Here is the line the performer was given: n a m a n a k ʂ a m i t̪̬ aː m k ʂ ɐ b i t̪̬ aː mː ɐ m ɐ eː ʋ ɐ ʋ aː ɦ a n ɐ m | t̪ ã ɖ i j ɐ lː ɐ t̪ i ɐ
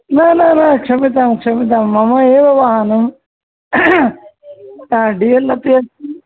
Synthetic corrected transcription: n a n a n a k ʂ ɐ m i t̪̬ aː m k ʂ ɐ m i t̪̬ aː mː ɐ m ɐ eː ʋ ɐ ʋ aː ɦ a n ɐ m | t̪ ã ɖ i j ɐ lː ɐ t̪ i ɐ